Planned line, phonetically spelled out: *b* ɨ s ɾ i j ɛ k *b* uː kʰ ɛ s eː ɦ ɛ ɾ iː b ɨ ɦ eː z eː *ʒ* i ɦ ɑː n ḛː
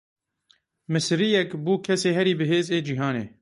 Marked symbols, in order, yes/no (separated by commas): no, yes, no